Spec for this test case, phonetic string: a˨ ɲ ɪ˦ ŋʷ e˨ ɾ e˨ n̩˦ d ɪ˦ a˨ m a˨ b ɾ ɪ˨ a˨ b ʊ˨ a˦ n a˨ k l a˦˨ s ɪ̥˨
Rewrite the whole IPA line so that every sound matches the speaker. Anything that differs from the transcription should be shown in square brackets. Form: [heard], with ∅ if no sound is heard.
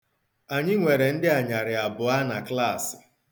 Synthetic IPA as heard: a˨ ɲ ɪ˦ ŋʷ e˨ ɾ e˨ n̩˦ d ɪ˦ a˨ [ɲ] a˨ [∅] ɾ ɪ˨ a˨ b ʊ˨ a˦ n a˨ k l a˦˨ s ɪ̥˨